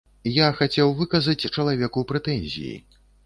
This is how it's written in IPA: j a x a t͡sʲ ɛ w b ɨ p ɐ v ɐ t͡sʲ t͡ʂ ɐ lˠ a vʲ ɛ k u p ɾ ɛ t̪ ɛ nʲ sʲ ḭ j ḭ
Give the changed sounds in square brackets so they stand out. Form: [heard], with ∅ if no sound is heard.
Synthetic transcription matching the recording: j a x a t͡sʲ ɛ w [v] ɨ [k] ɐ [z] ɐ t͡sʲ t͡ʂ ɐ lˠ a vʲ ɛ k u p ɾ ɛ t̪ ɛ nʲ [zʲ] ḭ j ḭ